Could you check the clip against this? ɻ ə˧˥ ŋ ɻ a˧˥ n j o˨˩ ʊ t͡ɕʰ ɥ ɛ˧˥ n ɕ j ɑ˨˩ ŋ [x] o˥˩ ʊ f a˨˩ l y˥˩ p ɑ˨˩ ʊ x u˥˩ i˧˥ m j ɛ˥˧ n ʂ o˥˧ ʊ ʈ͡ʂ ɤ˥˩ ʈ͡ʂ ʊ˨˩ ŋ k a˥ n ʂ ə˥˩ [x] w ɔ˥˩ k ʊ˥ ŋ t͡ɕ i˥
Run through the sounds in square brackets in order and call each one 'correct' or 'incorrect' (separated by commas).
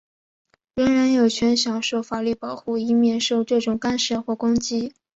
incorrect, correct